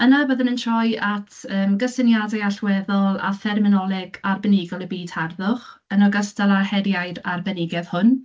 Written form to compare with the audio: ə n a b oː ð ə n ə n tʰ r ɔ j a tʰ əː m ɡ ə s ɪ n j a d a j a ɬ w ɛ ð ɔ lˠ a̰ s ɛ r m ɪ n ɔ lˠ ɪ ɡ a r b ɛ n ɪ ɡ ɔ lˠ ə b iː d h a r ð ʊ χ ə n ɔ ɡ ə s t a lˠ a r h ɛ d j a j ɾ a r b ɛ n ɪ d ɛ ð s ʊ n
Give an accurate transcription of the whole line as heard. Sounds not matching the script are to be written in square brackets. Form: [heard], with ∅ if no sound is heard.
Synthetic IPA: ə n a b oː ð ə n ə n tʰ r ɔ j a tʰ əː m ɡ ə s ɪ n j a d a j a ɬ w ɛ ð ɔ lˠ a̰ [f] ɛ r m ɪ n ɔ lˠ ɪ ɡ a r b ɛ n ɪ ɡ ɔ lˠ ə b iː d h a r ð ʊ χ ə n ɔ ɡ ə s t a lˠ a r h ɛ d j a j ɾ a r b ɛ n ɪ [ɡ] ɛ ð [h] ʊ n